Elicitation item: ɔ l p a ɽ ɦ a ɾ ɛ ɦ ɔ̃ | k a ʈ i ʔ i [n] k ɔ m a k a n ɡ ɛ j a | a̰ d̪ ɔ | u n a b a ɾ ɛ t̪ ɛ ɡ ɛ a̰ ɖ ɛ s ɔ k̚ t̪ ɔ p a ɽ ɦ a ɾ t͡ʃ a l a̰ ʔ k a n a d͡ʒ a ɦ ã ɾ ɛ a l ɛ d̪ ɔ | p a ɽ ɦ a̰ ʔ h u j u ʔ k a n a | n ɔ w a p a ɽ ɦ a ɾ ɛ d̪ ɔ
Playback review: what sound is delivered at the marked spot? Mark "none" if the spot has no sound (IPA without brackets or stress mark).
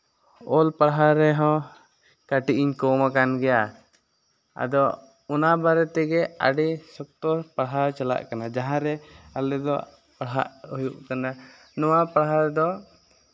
ɲ